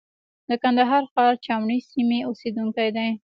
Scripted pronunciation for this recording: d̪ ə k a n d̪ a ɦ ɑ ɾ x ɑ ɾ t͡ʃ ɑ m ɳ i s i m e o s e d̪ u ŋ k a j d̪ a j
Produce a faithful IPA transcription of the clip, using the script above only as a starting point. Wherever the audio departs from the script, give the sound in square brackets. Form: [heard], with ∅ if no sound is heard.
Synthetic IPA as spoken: d̪ ə k a n d̪ a ɦ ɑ ɾ x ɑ ɾ t͡ʃ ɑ m ɳ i s i m e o s e d̪ u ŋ k a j d̪ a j